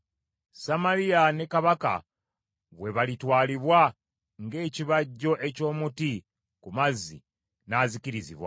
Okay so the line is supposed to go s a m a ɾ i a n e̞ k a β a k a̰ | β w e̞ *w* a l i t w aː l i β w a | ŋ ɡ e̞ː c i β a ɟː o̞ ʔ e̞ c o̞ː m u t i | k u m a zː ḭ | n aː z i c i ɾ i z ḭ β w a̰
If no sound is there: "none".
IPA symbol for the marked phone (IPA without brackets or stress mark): β